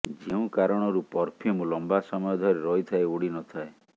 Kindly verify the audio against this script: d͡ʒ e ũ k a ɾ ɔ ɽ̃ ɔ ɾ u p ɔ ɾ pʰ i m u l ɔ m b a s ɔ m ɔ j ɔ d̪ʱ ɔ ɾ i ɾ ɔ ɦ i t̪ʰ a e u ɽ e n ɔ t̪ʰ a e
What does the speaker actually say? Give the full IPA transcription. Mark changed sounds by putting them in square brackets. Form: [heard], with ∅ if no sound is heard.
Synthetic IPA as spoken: d͡ʒ e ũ k a ɾ ɔ ɽ̃ ɔ ɾ u p ɔ ɾ pʰ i m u l ɔ m b a s ɔ m ɔ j ɔ d̪ʱ ɔ ɾ [e] ɾ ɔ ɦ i t̪ʰ a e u ɽ [i] n ɔ t̪ʰ a e

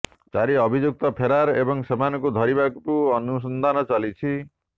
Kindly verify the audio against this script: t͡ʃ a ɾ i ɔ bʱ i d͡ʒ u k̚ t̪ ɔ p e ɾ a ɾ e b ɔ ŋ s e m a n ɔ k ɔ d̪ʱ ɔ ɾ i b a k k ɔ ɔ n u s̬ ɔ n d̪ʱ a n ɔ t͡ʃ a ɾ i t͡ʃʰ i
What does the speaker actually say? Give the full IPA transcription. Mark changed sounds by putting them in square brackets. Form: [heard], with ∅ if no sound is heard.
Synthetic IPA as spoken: t͡ʃ a ɾ i ɔ bʱ i d͡ʒ u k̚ t̪ ɔ [pʰ] e ɾ a ɾ e b ɔ ŋ s e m a n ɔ k [u] d̪ʱ ɔ ɾ i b a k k [u] ɔ n u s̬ ɔ n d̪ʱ a n ɔ t͡ʃ a [l] i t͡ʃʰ i

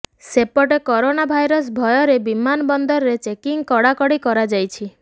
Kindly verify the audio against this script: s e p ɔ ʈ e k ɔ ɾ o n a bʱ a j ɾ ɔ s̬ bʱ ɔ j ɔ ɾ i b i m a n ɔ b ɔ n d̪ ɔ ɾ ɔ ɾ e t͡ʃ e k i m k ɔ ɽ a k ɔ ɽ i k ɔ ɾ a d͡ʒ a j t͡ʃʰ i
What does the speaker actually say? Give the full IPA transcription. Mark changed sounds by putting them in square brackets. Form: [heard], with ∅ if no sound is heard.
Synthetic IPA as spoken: s e p ɔ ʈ e k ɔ ɾ o n a bʱ a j ɾ ɔ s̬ bʱ ɔ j ɔ ɾ [e] b i m a n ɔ b ɔ n d̪ ɔ ɾ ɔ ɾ e t͡ʃ e k i [ŋ] k ɔ ɽ a k ɔ ɽ i k ɔ ɾ a d͡ʒ a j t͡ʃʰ i

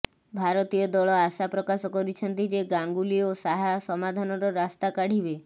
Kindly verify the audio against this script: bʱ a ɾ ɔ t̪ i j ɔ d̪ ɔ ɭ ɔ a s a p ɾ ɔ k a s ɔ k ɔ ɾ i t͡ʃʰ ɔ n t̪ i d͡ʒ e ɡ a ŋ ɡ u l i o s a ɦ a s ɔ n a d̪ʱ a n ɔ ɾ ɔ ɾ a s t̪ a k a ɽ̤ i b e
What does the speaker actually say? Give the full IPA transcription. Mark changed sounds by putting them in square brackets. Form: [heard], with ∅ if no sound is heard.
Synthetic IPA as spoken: bʱ a ɾ ɔ t̪ i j ɔ d̪ ɔ ɭ ɔ a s a p ɾ ɔ k a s ɔ k ɔ ɾ i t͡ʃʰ ɔ n t̪ i d͡ʒ e ɡ a ŋ ɡ u l i o s a ɦ a s ɔ [m] a d̪ʱ a n ɔ ɾ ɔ ɾ a s t̪ a k a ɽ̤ i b e

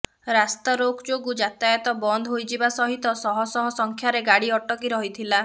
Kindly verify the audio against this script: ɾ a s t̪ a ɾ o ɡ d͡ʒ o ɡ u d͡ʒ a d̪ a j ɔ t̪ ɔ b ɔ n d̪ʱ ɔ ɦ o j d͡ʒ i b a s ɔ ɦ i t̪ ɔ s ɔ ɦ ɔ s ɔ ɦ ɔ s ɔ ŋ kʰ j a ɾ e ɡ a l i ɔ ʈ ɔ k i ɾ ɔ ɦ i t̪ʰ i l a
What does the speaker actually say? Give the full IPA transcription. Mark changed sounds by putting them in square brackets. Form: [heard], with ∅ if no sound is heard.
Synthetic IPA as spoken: ɾ a s t̪ a ɾ o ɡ d͡ʒ o ɡ u d͡ʒ a [t̪] a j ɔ t̪ ɔ b ɔ n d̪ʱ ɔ ɦ o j d͡ʒ i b a s ɔ ɦ i t̪ ɔ s ɔ ɦ ɔ s ɔ ɦ ɔ s ɔ ŋ kʰ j a ɾ e ɡ a [ɽ] i ɔ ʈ ɔ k i ɾ ɔ ɦ i t̪ʰ i l a

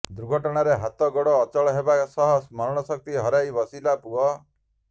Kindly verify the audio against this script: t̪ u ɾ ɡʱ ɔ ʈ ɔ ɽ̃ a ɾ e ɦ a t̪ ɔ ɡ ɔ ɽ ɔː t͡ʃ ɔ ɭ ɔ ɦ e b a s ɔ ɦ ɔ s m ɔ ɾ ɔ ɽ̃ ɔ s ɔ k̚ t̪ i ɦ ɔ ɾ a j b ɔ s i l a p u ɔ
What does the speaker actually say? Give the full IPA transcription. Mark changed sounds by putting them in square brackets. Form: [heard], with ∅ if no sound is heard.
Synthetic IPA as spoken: [d̪] u ɾ ɡʱ ɔ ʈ ɔ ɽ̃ a ɾ e ɦ a t̪ ɔ ɡ ɔ ɽ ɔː t͡ʃ ɔ ɭ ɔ ɦ e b a s ɔ ɦ ɔ s m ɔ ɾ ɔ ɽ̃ ɔ s ɔ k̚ t̪ i ɦ ɔ ɾ a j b ɔ s i l a p u ɔ

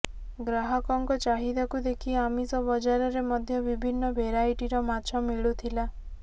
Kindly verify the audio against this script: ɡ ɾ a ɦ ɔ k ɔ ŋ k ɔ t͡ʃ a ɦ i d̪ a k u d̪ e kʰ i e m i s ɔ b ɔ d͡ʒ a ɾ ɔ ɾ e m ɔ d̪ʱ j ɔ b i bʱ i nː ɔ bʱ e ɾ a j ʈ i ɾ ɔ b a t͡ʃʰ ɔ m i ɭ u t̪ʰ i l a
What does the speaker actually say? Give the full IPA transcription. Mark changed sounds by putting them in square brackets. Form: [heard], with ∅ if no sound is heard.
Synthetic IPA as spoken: ɡ ɾ a ɦ ɔ k ɔ ŋ k ɔ t͡ʃ a ɦ i d̪ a k u d̪ e kʰ i [a] m i s ɔ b ɔ d͡ʒ a ɾ ɔ ɾ e m ɔ d̪ʱ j ɔ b i bʱ i nː ɔ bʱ e ɾ a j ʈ i ɾ ɔ [m] a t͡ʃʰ ɔ m i ɭ u t̪ʰ i l a

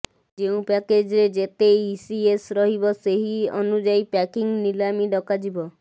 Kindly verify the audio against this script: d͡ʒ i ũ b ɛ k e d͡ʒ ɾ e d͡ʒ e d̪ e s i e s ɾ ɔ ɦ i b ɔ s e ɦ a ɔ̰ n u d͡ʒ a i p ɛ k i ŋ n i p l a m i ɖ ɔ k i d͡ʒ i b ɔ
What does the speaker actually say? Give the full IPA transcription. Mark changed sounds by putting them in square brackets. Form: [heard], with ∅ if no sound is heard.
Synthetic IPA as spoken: d͡ʒ [e] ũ [p] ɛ k e d͡ʒ ɾ e d͡ʒ e [t̪] e s i e s ɾ ɔ ɦ i b ɔ s e ɦ [i] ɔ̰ n u d͡ʒ a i p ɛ k i ŋ n i [∅] l a m i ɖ ɔ k [a] d͡ʒ i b ɔ

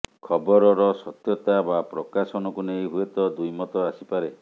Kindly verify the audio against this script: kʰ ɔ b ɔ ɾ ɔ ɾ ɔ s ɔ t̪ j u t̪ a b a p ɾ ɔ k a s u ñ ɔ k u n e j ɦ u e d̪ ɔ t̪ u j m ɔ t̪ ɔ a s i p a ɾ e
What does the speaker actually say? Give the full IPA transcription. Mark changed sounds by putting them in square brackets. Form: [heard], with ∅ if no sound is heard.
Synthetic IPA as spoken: kʰ ɔ b ɔ ɾ ɔ ɾ ɔ s ɔ t̪ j [ɔ] t̪ a b a p ɾ ɔ k a s [ɔ] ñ ɔ k u n e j ɦ u e [t̪] ɔ [d̪] u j m ɔ t̪ ɔ a s i p a ɾ e

